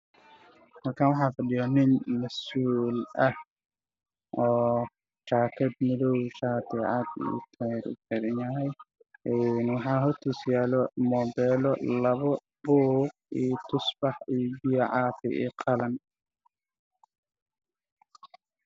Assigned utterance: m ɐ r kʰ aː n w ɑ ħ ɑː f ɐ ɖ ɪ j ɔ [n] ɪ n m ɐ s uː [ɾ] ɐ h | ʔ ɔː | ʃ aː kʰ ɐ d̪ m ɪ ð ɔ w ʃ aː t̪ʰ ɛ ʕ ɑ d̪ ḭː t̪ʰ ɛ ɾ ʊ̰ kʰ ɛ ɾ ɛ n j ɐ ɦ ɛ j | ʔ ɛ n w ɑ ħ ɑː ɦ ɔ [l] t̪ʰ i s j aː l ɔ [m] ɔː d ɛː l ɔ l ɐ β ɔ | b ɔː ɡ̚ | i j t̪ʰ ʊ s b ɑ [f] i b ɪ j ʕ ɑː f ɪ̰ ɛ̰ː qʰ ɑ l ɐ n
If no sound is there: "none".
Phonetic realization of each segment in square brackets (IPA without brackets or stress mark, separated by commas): n, l, r, m, ħ